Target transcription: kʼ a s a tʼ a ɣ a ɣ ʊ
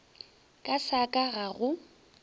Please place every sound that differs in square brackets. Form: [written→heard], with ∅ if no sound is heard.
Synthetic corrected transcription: kʼ a s a [tʼ→kʼ] a ɣ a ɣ ʊ

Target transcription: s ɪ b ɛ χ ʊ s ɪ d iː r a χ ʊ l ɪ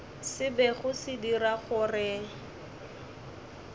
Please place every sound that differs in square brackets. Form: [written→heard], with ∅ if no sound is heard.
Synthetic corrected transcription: s ɪ b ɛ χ ʊ s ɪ d [iː→i] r a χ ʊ [l→r] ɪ

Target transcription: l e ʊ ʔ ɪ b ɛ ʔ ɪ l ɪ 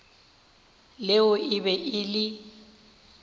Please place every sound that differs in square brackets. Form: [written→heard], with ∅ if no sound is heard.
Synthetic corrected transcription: l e ʊ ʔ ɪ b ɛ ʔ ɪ l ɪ

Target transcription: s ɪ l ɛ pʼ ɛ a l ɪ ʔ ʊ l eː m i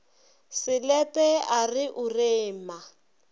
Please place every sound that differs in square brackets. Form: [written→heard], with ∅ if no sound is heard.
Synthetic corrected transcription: s ɪ l ɛ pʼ ɛ a [l→r] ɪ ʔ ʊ [l→r] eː m [i→a]

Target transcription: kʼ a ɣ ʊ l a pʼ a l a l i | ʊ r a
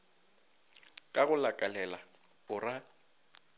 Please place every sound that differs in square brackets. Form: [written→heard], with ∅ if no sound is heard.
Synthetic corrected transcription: kʼ a ɣ ʊ l a [pʼ→kʼ] a l [a→ɛ] l [i→a] | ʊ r a

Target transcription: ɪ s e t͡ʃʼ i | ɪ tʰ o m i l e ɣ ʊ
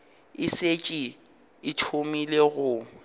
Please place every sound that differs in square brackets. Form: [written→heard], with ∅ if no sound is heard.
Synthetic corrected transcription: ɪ s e t͡ʃʼ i | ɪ tʰ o m i l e ɣ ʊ

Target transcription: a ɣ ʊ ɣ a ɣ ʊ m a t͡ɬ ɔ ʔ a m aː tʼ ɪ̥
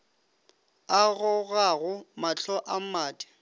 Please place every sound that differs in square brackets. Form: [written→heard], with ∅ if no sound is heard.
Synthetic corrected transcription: a ɣ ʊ ɣ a ɣ ʊ m a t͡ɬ ɔ ʔ a m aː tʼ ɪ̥

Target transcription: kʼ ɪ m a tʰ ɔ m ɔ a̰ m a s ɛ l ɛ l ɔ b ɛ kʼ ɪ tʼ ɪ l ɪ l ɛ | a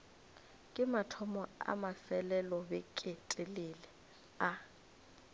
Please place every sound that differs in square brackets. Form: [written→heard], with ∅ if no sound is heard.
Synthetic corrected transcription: kʼ ɪ m a tʰ ɔ m ɔ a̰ m a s ɛ l ɛ l ɔ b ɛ kʼ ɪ tʼ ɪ l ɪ l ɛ | a

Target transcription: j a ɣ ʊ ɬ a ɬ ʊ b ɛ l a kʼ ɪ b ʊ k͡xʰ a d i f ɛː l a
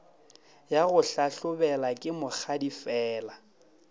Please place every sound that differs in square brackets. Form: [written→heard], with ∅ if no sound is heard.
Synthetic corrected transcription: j a ɣ ʊ ɬ a ɬ ʊ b ɛ l a kʼ ɪ [b→m] ʊ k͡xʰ a d i f ɛː l a

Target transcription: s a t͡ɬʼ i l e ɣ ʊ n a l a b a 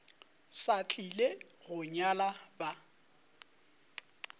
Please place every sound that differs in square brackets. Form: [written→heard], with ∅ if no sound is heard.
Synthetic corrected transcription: s a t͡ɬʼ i l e ɣ ʊ [n→ɲ] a l a b a

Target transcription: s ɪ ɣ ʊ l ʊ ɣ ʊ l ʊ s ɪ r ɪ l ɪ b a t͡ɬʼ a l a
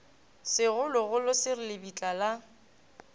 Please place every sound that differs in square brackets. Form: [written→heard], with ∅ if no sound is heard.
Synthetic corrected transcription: s ɪ ɣ ʊ l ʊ ɣ ʊ l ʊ s ɪ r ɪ l ɪ b [a→i] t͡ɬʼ a l a

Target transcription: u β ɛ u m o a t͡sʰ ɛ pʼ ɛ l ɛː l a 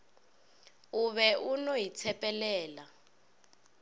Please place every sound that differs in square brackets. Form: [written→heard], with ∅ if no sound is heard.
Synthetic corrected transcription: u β ɛ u [m→n] o [a→i] t͡sʰ ɛ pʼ ɛ l ɛː l a

